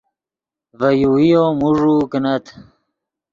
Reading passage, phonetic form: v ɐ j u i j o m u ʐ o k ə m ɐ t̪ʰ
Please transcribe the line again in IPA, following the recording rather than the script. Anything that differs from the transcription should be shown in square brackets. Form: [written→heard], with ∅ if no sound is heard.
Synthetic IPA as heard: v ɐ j u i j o m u ʐ [o→u] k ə [m→n] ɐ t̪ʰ